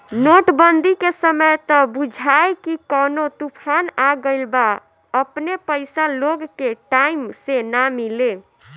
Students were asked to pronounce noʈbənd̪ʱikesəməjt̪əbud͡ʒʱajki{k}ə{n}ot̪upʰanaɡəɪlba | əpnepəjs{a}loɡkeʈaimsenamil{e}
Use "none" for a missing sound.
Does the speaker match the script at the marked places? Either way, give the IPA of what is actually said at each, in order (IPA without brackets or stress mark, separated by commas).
k, n, a, e